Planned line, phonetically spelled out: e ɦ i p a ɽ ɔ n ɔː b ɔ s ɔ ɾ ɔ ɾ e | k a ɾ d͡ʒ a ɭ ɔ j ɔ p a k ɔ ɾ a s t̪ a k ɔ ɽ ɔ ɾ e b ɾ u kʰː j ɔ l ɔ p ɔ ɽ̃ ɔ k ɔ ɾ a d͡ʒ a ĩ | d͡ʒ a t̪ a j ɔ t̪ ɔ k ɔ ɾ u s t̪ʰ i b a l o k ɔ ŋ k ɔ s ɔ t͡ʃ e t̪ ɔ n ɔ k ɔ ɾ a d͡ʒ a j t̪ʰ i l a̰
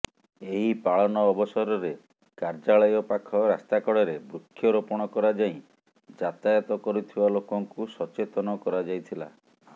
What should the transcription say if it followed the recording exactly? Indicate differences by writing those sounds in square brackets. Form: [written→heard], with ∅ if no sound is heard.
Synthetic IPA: e ɦ i p a [ɽ→ɭ] ɔ n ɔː b ɔ s ɔ ɾ ɔ ɾ e | k a ɾ d͡ʒ a ɭ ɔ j ɔ p a [k→kʰ] ɔ ɾ a s t̪ a k ɔ ɽ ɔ ɾ e b ɾ u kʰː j ɔ [l→ɾ] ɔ p ɔ ɽ̃ ɔ k ɔ ɾ a d͡ʒ a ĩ | d͡ʒ a t̪ a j ɔ t̪ ɔ k ɔ ɾ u [s→∅] t̪ʰ i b a l o k ɔ ŋ k [ɔ→u] s ɔ t͡ʃ e t̪ ɔ n ɔ k ɔ ɾ a d͡ʒ a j t̪ʰ i l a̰